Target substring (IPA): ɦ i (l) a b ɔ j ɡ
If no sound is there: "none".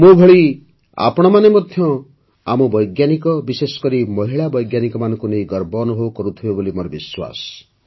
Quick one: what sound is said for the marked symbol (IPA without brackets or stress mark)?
ɭ